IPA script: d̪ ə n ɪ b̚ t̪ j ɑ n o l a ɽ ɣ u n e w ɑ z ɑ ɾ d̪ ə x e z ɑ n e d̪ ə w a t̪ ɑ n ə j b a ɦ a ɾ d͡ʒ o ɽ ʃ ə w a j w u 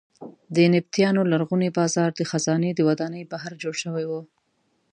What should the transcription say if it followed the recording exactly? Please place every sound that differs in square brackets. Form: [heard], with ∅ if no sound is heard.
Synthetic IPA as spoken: d̪ ə n ɪ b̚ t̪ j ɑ n o l a [ɾ] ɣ u n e [b] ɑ z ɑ ɾ d̪ ə x [a] z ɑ n e d̪ ə w a [d̪] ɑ n ə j b a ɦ a ɾ d͡ʒ o ɽ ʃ ə w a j w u